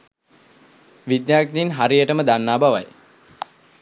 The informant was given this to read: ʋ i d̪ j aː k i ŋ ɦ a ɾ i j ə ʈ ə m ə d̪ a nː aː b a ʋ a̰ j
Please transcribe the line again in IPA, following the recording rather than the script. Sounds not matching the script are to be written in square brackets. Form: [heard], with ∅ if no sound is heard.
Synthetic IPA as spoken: ʋ i d̪ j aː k i [n] ɦ a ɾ i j ə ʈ ə m ə d̪ a nː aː b a ʋ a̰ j